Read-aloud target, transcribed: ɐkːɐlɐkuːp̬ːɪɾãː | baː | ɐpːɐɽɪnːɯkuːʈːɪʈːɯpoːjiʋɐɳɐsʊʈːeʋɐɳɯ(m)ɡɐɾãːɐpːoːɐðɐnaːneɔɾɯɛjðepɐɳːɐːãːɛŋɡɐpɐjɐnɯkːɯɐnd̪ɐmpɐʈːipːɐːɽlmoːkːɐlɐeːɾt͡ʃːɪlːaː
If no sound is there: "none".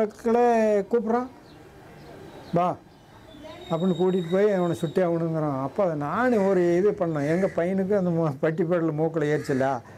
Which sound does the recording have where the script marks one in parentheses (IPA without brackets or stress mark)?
ŋ